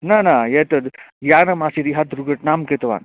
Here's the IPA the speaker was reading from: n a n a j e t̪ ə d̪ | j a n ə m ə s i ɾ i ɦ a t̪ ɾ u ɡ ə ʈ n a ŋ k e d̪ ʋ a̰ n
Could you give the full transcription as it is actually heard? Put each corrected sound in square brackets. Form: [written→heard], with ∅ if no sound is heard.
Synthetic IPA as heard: n a n a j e t̪ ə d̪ | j a n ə m [ə→a] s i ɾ i ɦ a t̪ ɾ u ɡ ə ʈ n a [ŋ→m] k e [d̪→t̪] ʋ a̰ n